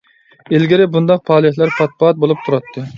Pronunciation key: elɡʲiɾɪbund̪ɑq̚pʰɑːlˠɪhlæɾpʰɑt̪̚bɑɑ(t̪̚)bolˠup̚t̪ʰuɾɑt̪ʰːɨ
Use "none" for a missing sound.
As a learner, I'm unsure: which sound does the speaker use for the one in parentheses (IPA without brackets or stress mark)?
t̪̚